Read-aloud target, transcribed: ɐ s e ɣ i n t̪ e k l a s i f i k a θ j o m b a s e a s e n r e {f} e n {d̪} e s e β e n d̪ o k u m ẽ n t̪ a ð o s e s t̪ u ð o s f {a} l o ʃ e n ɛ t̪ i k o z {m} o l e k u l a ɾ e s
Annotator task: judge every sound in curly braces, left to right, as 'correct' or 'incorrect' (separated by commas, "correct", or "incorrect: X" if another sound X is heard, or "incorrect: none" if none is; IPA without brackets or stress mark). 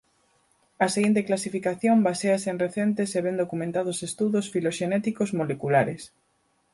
incorrect: θ, incorrect: t̪, incorrect: i, correct